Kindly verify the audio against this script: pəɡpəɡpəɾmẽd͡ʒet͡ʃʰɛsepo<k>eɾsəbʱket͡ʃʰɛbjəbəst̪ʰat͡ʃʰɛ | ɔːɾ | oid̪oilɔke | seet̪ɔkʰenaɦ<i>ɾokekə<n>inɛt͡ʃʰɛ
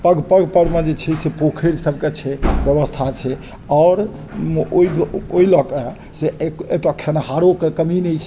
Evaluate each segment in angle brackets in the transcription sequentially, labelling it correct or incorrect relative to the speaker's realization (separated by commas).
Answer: incorrect, incorrect, incorrect